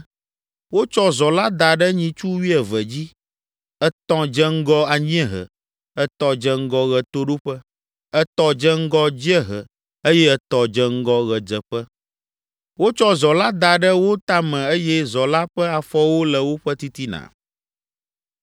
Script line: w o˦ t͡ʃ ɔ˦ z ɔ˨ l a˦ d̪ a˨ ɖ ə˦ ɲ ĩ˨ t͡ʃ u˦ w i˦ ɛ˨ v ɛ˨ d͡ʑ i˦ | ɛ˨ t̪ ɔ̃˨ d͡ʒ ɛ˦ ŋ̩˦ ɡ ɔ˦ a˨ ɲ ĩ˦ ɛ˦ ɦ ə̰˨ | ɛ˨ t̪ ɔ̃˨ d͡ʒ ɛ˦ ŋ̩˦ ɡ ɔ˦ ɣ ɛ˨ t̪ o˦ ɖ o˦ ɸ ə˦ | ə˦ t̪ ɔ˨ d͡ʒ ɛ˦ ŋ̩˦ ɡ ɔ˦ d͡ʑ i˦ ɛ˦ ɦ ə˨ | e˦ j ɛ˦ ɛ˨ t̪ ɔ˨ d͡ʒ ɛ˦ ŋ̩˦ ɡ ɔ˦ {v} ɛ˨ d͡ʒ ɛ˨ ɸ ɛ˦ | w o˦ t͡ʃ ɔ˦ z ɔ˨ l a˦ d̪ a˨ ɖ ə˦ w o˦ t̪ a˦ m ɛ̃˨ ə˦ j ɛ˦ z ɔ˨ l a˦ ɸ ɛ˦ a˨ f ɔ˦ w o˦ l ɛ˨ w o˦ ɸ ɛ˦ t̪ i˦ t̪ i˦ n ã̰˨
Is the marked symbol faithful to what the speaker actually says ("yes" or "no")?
no